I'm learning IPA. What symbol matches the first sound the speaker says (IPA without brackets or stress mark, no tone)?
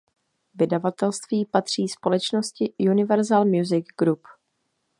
v